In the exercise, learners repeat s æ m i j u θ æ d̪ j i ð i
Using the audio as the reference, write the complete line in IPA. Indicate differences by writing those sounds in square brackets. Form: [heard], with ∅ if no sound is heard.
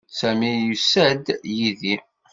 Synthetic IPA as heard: s æ m i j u [s] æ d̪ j i ð i

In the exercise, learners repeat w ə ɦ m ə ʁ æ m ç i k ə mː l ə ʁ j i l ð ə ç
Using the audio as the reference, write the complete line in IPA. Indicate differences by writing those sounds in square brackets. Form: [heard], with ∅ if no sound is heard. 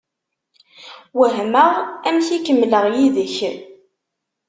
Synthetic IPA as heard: w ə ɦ m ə ʁ æ m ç i k ə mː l ə ʁ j i [∅] ð ə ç

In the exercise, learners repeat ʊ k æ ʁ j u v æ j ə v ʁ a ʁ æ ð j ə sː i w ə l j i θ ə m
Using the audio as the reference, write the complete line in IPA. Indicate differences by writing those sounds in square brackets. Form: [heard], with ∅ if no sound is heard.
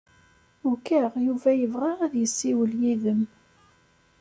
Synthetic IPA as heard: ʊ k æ ʁ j u v æ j ə v ʁ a ʁ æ ð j ə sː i w ə l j i [ð] ə m

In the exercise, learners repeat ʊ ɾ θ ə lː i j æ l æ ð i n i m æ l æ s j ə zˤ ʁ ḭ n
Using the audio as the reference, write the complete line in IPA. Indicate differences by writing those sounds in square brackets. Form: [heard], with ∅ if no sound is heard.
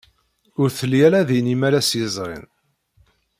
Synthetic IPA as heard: ʊ ɾ θ ə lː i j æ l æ ð i n i m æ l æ s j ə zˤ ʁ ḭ n

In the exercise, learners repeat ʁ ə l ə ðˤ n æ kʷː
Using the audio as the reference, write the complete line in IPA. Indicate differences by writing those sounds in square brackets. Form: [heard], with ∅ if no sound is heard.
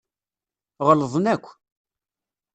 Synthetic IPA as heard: ʁ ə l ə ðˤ n æ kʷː

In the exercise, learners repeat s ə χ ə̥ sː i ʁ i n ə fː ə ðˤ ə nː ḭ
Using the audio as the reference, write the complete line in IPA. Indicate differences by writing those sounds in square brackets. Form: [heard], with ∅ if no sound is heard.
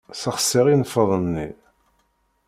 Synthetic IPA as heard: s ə χ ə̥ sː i ʁ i n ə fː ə ðˤ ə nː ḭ

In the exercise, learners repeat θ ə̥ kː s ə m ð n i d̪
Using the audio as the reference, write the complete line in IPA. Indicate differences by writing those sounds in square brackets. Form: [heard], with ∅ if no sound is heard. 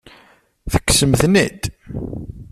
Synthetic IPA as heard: θ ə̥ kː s ə m [θ] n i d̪

